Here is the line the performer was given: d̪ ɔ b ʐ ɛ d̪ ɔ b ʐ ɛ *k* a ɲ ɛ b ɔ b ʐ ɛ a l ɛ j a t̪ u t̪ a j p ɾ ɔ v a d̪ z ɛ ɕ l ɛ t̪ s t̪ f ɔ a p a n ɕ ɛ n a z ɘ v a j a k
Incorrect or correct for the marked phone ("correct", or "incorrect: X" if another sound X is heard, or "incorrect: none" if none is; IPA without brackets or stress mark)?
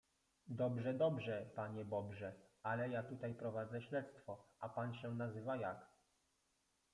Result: incorrect: p